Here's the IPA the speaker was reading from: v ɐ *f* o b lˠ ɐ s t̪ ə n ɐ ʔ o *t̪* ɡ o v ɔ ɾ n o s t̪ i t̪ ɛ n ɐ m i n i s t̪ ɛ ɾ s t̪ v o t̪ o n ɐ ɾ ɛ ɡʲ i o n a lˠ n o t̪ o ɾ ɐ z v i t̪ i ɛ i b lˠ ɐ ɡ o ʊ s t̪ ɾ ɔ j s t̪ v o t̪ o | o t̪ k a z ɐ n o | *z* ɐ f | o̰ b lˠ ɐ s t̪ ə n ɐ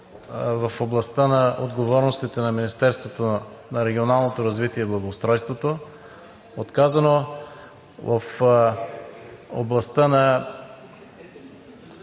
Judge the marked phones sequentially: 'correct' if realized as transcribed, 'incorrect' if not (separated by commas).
correct, incorrect, incorrect